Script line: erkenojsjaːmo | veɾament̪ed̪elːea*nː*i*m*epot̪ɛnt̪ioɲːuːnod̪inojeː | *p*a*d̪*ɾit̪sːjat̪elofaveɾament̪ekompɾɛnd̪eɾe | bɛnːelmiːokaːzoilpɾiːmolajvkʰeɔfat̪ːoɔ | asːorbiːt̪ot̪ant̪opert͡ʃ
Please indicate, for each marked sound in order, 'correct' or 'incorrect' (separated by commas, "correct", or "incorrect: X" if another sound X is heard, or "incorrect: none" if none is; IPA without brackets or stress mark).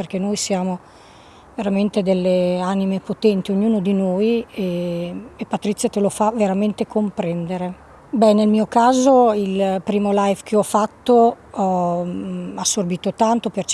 incorrect: n, correct, correct, incorrect: t̪